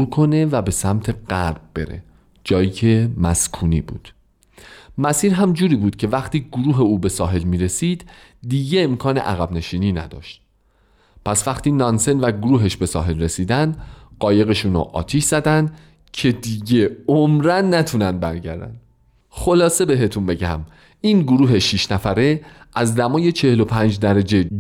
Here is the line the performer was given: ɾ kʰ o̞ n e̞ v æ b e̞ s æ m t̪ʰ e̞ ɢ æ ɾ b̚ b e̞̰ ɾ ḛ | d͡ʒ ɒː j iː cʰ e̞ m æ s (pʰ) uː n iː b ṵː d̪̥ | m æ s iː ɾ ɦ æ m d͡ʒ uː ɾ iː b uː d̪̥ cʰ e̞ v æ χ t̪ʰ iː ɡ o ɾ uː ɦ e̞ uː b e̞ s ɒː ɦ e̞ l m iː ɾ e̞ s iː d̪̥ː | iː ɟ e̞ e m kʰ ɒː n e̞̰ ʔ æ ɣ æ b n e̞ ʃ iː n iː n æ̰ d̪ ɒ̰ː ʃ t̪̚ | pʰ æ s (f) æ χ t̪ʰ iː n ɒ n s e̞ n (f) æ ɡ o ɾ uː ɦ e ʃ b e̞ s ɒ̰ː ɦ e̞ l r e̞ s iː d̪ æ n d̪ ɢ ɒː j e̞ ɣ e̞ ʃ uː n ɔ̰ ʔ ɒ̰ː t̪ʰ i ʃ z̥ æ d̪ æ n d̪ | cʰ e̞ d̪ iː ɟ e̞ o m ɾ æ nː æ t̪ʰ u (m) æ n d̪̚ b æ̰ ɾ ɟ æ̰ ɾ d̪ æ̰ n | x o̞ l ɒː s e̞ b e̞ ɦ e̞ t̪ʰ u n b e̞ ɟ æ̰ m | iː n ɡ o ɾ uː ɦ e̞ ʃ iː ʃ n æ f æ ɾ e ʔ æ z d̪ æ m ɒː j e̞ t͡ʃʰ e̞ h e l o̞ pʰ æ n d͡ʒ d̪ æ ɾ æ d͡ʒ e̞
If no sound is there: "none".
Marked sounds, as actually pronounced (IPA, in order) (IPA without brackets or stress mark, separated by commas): kʰ, v, v, n